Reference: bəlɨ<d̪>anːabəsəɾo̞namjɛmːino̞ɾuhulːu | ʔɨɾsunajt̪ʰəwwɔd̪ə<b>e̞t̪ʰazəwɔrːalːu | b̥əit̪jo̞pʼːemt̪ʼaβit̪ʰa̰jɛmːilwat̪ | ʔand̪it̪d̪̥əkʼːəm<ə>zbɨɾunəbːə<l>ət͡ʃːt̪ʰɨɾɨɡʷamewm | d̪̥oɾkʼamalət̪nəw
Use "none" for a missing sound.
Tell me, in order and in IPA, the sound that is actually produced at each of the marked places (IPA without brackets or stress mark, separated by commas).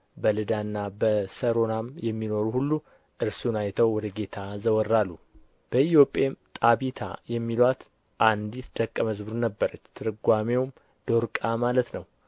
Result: d̪, ɡ, ə, ɾ